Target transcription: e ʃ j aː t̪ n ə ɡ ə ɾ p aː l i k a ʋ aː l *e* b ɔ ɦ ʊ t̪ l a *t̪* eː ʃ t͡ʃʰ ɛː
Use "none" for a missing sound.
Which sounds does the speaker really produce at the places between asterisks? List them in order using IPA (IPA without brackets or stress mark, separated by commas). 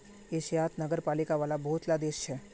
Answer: a, d̪